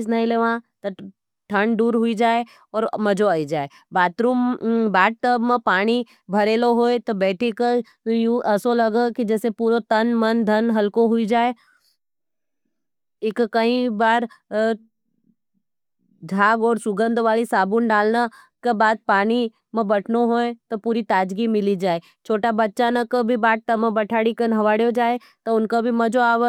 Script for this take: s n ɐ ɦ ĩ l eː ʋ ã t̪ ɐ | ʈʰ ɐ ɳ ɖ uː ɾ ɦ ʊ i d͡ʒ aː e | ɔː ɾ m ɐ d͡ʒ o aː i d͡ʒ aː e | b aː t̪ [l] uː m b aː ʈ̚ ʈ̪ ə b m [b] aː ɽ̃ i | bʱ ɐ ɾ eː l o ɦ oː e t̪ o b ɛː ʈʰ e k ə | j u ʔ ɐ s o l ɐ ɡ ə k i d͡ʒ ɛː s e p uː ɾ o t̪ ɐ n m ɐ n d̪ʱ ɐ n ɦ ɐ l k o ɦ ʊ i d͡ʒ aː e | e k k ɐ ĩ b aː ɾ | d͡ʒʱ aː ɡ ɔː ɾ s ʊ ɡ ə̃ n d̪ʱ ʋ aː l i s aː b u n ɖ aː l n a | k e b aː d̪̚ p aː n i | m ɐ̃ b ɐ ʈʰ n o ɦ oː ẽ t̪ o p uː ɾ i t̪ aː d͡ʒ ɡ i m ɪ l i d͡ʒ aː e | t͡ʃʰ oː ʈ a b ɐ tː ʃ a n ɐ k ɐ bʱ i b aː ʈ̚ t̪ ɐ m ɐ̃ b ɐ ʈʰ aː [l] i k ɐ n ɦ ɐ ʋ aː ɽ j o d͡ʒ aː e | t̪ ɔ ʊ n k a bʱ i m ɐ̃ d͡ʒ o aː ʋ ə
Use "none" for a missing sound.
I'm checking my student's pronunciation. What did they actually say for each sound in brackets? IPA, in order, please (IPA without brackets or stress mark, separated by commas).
ɾ, p, ɽ